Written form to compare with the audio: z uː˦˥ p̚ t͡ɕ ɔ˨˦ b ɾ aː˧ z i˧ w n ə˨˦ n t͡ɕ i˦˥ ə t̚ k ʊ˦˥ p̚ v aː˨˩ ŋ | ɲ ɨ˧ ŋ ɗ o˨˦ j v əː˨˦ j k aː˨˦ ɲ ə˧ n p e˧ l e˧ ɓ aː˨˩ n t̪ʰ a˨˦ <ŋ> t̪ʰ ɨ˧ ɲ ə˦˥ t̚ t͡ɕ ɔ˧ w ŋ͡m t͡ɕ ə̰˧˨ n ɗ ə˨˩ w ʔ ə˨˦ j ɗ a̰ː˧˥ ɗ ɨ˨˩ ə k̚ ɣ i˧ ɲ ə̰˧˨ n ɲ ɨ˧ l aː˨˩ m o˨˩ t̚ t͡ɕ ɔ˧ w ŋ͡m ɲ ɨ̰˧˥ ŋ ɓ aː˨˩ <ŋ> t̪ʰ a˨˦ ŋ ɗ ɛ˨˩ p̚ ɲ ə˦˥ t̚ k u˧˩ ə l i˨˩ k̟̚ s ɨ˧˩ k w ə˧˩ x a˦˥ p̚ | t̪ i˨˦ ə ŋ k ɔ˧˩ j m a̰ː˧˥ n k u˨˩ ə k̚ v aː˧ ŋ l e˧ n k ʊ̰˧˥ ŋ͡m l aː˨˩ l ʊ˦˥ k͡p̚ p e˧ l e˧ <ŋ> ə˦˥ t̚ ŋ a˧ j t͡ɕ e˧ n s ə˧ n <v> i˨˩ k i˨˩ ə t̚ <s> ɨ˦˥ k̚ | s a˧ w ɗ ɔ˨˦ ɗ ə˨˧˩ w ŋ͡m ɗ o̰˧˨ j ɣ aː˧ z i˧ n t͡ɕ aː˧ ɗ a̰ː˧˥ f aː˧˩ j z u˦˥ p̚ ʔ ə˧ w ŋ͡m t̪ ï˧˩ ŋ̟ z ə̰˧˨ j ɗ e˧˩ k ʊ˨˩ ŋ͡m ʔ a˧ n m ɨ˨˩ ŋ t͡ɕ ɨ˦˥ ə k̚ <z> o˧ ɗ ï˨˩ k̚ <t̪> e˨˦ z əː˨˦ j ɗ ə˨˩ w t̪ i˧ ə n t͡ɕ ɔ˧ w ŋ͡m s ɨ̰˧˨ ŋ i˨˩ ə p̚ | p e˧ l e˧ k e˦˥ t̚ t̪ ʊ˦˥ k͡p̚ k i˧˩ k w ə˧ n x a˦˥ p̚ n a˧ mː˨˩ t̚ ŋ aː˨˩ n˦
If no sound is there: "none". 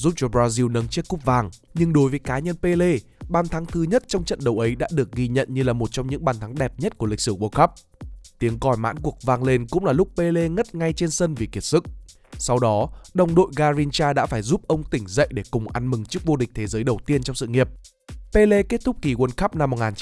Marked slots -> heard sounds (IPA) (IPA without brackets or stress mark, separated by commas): ŋ, n, ŋ, v, s, v, t̪ʰ